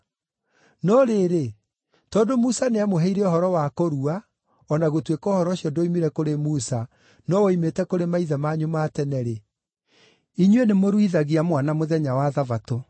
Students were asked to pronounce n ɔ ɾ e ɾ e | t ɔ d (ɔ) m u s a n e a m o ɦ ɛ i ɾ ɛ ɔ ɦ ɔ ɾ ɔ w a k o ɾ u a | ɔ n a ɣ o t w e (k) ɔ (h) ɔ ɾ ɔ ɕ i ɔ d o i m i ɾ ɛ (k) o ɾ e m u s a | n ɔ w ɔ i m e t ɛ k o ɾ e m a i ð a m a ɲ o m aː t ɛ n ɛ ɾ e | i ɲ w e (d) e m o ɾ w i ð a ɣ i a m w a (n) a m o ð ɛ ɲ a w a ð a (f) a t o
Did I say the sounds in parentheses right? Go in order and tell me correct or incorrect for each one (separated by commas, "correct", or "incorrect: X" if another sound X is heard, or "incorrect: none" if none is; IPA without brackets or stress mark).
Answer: incorrect: o, correct, correct, correct, incorrect: n, correct, incorrect: v